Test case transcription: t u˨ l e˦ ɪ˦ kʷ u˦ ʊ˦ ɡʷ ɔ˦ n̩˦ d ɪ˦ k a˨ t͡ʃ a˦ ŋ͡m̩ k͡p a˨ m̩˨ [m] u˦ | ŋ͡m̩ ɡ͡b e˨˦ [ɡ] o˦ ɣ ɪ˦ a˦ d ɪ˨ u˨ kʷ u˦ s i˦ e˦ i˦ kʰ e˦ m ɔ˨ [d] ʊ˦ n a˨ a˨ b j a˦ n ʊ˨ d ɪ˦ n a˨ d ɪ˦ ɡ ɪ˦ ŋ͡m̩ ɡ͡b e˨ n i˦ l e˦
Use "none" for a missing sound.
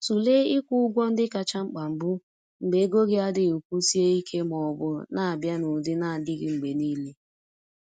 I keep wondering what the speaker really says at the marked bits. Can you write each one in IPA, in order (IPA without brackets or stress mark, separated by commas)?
b, ɡ, b